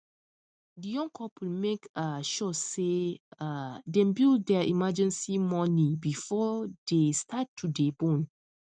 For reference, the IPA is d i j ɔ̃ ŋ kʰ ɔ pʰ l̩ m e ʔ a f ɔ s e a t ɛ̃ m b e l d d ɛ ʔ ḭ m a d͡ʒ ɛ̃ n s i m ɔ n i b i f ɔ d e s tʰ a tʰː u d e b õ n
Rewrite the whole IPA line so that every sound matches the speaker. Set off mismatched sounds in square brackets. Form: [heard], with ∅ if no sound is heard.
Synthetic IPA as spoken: d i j ɔ̃ ŋ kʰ ɔ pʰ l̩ m e [k] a [ʃ] ɔ s e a [d] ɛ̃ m b [i] l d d ɛ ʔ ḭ m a d͡ʒ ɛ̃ n s i m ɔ n i b i f ɔ d e s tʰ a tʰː u d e b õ n